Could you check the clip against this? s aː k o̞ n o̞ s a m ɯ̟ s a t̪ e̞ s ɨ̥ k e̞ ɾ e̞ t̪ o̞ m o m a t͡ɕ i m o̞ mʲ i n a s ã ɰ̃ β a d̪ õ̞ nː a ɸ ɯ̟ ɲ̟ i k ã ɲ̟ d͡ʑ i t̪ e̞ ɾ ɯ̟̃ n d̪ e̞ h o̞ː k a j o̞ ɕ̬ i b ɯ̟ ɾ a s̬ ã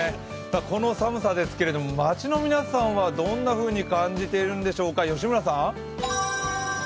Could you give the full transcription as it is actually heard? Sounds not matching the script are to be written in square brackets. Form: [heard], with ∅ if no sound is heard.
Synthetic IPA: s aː k o̞ n o̞ s a m ɯ̟ s a [d̪] e̞ s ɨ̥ k e̞ ɾ e̞ [d̪] o̞ m o m a t͡ɕ i [n] o̞ mʲ i n a s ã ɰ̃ β a d̪ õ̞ nː a ɸ [ɯ̟ː] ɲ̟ i k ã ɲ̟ d͡ʑ i t̪ e̞ ɾ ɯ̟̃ n d̪ e̞ [ɕ] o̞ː k a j o̞ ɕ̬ i [m] ɯ̟ ɾ a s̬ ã

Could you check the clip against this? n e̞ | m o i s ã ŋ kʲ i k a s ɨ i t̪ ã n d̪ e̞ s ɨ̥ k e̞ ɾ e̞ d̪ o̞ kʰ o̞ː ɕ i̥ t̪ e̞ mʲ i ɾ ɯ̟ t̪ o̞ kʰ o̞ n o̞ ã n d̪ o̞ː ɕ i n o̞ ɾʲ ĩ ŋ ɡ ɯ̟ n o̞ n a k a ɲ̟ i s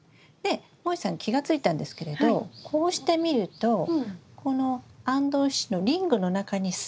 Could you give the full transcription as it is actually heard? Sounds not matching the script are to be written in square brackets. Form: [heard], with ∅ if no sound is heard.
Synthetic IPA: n e̞ | m o i s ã ŋ kʲ i [ɡ] a [t͡s] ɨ i t̪ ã n d̪ e̞ s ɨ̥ k e̞ ɾ e̞ d̪ o̞ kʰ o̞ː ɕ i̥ t̪ e̞ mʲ i ɾ ɯ̟ t̪ o̞ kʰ o̞ n o̞ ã n d̪ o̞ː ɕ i n o̞ ɾʲ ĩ ŋ ɡ ɯ̟ n o̞ n a k a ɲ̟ i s

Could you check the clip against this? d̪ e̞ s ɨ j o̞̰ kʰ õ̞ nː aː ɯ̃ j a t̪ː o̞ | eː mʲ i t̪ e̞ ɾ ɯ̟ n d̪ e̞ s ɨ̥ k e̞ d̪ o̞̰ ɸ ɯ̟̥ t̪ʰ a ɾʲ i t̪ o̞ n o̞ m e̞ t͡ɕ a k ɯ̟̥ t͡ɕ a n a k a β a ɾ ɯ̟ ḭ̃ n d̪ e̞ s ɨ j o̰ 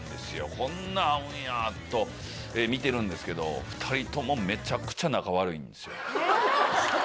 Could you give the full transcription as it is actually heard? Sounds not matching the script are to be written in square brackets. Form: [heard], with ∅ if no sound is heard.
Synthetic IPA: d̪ e̞ s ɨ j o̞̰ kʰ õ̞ nː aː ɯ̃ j a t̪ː o̞ | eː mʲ i t̪ e̞ ɾ [ɯ̟̃] n d̪ e̞ s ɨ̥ k e̞ d̪ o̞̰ ɸ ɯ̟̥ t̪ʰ a ɾʲ i t̪ o̞ [m] o̞ m e̞ t͡ɕ a k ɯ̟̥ t͡ɕ a n a k a β a ɾ ɯ̟ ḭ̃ n d̪ e̞ s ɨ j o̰

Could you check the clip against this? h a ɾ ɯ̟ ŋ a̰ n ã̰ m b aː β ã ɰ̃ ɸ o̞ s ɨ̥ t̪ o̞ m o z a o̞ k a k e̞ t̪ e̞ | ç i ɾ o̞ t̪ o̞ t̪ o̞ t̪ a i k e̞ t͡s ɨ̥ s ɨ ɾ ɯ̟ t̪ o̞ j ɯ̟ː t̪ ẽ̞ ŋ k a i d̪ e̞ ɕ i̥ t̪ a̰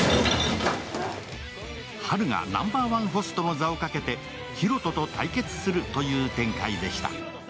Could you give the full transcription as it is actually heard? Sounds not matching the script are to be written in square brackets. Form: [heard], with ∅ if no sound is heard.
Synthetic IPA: h a ɾ ɯ̟ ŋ a̰ n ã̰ m b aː β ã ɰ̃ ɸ o̞ s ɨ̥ t̪ o̞ m o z a o̞ k a k e̞ t̪ e̞ | ç i ɾ o̞ t̪ o̞ t̪ o̞ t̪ a i k e̞ t͡s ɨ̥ s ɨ ɾ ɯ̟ t̪ o̞ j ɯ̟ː t̪ ẽ̞ ŋ k a i d̪ e̞ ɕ i̥ t̪ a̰

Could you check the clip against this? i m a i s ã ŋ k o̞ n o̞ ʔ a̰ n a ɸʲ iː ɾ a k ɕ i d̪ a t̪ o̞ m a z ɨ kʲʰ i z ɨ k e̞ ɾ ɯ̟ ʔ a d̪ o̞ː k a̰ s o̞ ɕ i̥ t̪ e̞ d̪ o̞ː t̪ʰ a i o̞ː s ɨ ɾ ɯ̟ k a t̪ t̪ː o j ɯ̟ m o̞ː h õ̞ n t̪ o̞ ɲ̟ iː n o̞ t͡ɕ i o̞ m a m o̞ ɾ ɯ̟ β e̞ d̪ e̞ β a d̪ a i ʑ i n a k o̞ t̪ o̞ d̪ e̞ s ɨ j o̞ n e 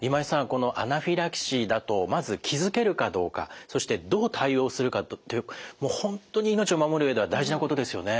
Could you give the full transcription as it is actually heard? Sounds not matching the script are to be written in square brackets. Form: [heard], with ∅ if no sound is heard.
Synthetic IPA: i m a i s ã ŋ k o̞ n o̞ ʔ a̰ n a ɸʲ [i] ɾ a k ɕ i d̪ a t̪ o̞ m a z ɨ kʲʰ i z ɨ k e̞ ɾ ɯ̟ [k] a d̪ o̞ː k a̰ s o̞ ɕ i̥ t̪ e̞ d̪ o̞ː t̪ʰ a i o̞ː s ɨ ɾ ɯ̟ k a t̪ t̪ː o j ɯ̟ m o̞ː h õ̞ n t̪ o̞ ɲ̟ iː n o̞ t͡ɕ i o̞ m a m o̞ ɾ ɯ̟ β e̞ d̪ e̞ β a d̪ a i ʑ i n a k o̞ t̪ o̞ d̪ e̞ s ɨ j o̞ n e

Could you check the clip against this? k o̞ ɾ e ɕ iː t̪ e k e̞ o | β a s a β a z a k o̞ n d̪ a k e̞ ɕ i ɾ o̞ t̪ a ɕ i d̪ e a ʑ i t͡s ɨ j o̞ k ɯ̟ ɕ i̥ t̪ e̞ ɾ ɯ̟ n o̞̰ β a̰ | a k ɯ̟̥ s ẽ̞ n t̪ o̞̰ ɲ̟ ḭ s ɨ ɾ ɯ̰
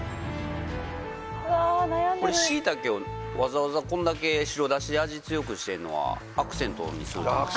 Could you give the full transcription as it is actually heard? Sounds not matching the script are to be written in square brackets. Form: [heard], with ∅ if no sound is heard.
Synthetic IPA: k o̞ ɾ e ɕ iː t̪ [a] k e̞ o | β a [z] a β a z a k [õ̞] n d̪ a k e̞ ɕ i ɾ o̞ [d̪] a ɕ i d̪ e a ʑ i t͡s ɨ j o̞ k ɯ̟ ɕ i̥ t̪ e̞ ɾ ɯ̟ n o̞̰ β a̰ | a k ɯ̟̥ s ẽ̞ n t̪ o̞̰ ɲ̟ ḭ s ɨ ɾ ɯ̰

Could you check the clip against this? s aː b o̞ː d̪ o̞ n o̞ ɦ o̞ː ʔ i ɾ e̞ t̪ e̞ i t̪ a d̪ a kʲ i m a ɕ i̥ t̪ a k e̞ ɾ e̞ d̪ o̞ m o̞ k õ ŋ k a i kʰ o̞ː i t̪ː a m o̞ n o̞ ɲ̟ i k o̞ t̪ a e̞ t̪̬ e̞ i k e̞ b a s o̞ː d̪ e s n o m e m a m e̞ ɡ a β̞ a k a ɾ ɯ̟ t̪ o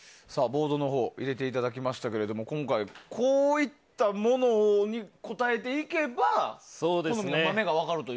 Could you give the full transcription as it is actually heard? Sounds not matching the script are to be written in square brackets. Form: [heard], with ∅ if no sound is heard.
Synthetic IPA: s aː b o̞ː d̪ o̞ n o̞ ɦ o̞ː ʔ i ɾ e̞ t̪ e̞ i t̪ a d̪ a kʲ i m a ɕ i̥ t̪ a k e̞ ɾ e̞ d̪ o̞ m o̞ k õ ŋ k a i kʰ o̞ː i t̪ː a m o̞ n o̞ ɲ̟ i k o̞ t̪ a e̞ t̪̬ e̞ i k e̞ b a s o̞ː d̪ e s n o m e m a m e̞ ɡ a β̞ a k a ɾ ɯ̟ t̪ o

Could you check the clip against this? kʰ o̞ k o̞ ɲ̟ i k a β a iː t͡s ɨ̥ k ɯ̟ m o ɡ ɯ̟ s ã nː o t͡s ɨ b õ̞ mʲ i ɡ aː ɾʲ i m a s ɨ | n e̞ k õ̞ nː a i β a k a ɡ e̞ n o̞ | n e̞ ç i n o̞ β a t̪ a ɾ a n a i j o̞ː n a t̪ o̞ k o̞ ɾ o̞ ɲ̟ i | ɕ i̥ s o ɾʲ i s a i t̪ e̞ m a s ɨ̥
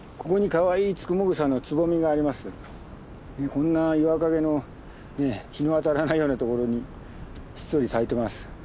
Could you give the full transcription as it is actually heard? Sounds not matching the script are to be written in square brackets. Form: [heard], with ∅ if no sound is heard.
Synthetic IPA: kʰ o̞ k o̞ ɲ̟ i k a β a iː t͡s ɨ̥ k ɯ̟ m o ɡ ɯ̟ s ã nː o t͡s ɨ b [o̞] mʲ i ɡ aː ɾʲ i m a s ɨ | n e̞ k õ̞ nː a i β a k a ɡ e̞ n o̞ | n e̞ ç i n o̞ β a t̪ a ɾ a n a i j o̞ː n a t̪ o̞ k o̞ ɾ o̞ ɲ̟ i | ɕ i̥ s o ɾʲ i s a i t̪ e̞ m a s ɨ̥

